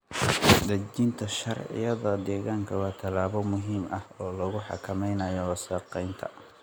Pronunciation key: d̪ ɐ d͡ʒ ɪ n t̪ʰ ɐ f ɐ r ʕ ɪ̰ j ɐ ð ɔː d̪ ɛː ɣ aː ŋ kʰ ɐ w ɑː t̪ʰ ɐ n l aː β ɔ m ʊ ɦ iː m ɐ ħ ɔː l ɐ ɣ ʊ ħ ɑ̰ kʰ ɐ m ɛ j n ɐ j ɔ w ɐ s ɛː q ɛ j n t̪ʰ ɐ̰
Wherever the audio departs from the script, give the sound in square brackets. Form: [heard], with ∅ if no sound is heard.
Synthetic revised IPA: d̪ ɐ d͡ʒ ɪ n t̪ʰ ɐ [ʃ] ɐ r ʕ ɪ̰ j ɐ ð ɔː d̪ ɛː ɣ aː ŋ kʰ ɐ w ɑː t̪ʰ ɐ [∅] l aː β ɔ m ʊ ɦ iː m ɐ [h] ɔː l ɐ ɣ ʊ ħ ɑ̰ kʰ ɐ m ɛ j n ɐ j ɔ w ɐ s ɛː q ɛ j n t̪ʰ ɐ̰